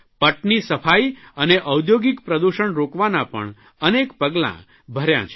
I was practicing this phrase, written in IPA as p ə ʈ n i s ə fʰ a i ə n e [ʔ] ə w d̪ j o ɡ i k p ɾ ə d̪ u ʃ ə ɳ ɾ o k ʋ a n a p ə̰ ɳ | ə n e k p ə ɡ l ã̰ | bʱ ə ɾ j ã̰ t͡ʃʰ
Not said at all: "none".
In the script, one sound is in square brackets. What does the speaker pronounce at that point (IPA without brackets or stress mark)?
ʔ